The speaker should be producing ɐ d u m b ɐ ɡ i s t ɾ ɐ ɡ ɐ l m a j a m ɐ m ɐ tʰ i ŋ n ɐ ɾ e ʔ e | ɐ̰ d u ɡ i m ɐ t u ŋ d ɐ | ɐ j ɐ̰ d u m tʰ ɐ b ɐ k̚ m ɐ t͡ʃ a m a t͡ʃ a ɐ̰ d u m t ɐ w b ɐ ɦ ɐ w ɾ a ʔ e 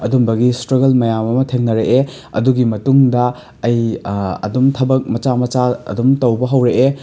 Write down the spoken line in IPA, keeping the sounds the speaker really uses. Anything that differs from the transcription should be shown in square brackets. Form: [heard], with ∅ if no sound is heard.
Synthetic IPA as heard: ɐ d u m b ɐ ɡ i s t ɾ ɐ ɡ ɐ l m [ɐ] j a m ɐ m ɐ tʰ [e] ŋ n ɐ ɾ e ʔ e | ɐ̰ d u ɡ i m ɐ t u ŋ d ɐ | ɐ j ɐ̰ d u m tʰ ɐ b ɐ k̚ m ɐ t͡ʃ a m [ɐ] t͡ʃ a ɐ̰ d u m t ɐ w b ɐ ɦ ɐ w ɾ [e] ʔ e